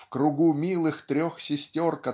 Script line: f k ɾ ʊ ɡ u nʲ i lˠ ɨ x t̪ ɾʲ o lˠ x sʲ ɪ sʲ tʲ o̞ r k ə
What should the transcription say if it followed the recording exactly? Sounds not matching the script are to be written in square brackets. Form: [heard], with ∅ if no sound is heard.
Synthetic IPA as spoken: f k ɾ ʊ ɡ u [mʲ] i lˠ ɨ x t̪ ɾʲ o [∅] x sʲ ɪ sʲ tʲ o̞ r k [ɐ]

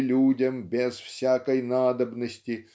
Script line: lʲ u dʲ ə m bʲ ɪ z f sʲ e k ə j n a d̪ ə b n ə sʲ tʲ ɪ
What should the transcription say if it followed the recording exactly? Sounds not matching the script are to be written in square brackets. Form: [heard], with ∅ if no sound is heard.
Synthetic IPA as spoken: lʲ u dʲ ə m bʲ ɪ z f sʲ [a] k ə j n a d̪ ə b n ə sʲ tʲ ɪ

